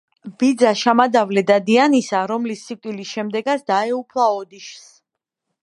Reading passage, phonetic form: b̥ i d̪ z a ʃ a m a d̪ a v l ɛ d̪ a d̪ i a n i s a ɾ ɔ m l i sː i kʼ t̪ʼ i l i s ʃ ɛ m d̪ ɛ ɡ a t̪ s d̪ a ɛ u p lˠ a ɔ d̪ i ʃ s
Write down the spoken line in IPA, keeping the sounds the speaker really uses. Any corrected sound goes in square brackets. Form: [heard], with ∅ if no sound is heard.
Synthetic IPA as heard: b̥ i d̪ z a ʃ a m a d̪ a v l ɛ d̪ a d̪ i a n i s a ɾ ɔ m l i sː i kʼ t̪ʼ i l i s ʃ ɛ m d̪ ɛ ɡ a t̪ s d̪ a ɛ u [pʰ] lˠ a ɔ d̪ i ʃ s